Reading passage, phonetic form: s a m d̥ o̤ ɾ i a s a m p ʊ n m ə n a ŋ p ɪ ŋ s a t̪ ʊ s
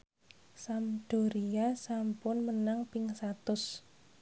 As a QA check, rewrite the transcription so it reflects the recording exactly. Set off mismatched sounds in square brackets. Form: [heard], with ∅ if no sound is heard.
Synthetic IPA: s a m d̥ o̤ ɾ i a s a m p ʊ n m ə n a ŋ p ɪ ŋ s a t̪ ʊ s